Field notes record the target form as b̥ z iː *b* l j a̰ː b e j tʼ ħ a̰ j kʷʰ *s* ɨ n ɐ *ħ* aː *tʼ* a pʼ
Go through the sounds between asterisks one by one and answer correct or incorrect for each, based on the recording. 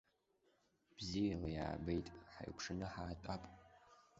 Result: incorrect: none, incorrect: ʂ, correct, correct

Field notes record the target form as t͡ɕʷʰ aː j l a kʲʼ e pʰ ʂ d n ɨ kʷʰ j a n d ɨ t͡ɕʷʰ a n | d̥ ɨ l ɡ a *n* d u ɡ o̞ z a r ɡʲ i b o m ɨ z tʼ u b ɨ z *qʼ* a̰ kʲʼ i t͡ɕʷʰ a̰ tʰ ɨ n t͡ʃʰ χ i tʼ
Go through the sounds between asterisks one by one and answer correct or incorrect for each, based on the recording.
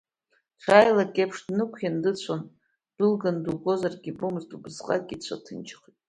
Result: correct, correct

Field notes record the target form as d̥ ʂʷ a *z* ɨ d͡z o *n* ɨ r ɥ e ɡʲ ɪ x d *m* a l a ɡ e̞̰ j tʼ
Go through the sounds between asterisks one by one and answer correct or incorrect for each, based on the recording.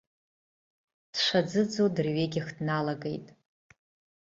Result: incorrect: d͡z, incorrect: d, incorrect: n

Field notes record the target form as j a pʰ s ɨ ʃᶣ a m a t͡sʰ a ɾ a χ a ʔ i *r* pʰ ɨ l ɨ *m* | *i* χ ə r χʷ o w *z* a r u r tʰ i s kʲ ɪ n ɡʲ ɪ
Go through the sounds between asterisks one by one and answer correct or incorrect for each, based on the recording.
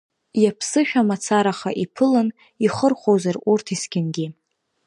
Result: incorrect: none, incorrect: n, correct, correct

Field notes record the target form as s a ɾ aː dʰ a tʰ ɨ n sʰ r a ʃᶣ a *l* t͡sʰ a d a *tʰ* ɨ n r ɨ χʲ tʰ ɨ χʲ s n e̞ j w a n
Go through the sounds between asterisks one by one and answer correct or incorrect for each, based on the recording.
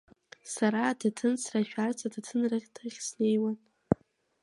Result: incorrect: r, correct

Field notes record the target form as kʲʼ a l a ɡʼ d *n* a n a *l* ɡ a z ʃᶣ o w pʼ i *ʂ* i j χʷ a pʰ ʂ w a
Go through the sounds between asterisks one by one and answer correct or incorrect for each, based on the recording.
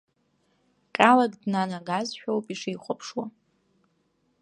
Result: correct, incorrect: none, correct

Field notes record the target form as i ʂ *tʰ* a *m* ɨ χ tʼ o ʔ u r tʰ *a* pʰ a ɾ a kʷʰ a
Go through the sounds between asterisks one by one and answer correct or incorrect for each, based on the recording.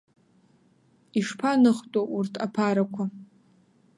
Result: incorrect: pʰ, incorrect: n, correct

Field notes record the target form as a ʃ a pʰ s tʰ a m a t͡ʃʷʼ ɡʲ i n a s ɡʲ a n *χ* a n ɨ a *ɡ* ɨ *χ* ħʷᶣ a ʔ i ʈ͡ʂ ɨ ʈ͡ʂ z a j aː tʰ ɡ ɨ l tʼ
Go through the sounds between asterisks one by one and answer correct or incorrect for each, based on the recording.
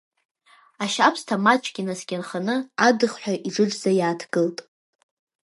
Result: correct, incorrect: d, correct

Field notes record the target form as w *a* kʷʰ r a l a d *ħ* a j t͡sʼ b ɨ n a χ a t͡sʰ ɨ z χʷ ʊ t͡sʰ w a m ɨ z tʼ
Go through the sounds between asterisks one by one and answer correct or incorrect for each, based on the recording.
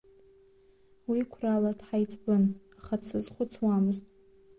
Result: incorrect: i, correct

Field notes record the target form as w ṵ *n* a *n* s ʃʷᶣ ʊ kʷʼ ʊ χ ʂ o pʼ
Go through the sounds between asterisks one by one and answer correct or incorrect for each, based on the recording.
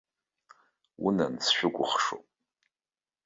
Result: correct, correct

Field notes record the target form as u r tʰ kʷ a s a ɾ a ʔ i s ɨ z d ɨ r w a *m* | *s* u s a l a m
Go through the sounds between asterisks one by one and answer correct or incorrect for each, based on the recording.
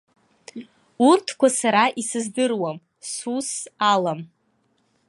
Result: correct, correct

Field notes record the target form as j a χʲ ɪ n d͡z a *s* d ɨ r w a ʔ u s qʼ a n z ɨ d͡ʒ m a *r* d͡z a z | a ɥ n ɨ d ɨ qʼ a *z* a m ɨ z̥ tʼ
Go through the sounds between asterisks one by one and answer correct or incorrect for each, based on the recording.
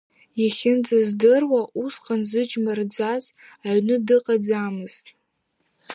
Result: incorrect: z, correct, incorrect: d͡z

